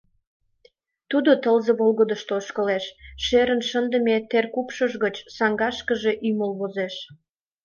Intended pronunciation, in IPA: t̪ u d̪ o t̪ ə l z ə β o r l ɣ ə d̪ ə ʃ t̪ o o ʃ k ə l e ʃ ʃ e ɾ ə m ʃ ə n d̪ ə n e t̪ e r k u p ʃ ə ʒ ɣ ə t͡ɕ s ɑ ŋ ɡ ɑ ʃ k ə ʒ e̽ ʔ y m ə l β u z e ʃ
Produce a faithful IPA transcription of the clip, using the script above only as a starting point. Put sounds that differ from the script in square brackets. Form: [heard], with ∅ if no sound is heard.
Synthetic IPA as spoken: t̪ u d̪ o t̪ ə l z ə β o [∅] l ɣ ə d̪ ə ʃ t̪ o o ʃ k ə l e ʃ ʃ e ɾ ə [n] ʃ ə n d̪ ə [m] e t̪ e r k u p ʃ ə ʒ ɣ ə t͡ɕ s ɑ ŋ ɡ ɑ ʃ k ə ʒ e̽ ʔ y m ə l β [o] z e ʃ